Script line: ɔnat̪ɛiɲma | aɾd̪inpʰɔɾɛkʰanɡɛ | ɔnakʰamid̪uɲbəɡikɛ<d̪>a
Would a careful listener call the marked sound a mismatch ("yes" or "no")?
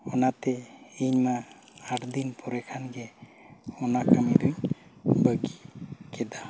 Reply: no